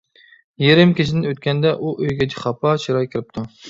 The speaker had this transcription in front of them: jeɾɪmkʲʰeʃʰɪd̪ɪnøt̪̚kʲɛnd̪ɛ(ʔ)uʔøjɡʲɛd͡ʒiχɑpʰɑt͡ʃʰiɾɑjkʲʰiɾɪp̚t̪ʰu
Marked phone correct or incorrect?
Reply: correct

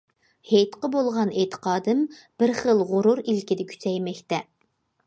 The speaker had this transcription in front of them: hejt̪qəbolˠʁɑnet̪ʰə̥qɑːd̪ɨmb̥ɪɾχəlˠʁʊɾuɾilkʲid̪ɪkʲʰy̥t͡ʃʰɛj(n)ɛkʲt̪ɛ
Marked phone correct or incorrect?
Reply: incorrect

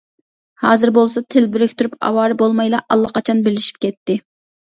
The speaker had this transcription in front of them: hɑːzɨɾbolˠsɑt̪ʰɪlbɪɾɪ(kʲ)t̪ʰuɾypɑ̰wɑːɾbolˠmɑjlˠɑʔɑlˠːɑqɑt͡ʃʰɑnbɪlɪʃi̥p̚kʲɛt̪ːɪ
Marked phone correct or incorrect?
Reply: correct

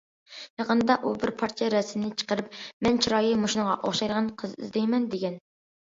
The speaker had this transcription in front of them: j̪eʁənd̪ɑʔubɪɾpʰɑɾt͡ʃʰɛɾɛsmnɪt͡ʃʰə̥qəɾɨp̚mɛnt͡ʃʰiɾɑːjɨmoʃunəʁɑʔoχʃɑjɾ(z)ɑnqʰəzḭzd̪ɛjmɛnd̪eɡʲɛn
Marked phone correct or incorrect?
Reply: incorrect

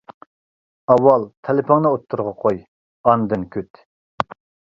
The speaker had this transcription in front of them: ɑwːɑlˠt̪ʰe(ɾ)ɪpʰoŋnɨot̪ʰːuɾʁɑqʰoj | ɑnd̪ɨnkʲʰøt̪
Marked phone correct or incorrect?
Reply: incorrect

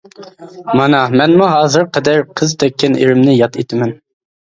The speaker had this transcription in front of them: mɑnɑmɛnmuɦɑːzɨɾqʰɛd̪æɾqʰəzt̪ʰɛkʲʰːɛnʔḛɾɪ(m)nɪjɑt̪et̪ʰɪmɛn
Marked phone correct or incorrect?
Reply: correct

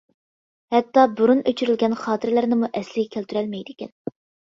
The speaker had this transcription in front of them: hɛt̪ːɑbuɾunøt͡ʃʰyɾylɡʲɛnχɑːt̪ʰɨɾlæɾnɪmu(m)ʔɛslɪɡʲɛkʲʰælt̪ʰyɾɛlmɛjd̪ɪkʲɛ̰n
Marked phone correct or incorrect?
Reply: incorrect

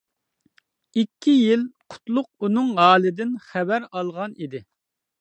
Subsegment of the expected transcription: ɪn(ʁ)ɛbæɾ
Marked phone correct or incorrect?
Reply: incorrect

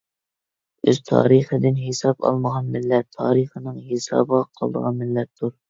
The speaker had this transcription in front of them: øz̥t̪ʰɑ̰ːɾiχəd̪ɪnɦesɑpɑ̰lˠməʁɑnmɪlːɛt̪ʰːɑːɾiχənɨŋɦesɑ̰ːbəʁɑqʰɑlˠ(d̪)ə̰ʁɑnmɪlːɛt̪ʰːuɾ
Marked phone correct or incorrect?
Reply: correct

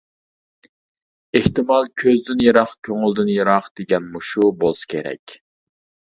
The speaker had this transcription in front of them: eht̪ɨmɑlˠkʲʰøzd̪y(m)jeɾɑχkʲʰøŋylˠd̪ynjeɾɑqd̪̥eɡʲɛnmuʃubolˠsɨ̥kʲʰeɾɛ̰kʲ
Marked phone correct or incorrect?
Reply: incorrect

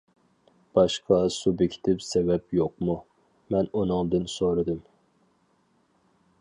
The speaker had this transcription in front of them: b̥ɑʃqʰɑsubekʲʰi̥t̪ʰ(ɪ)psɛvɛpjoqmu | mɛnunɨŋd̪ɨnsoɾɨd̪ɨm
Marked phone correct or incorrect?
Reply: correct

